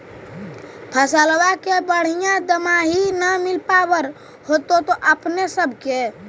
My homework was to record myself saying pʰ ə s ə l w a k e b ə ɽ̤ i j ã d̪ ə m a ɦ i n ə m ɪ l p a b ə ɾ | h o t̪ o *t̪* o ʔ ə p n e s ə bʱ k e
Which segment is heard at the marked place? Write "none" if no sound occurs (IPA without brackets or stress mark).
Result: t̪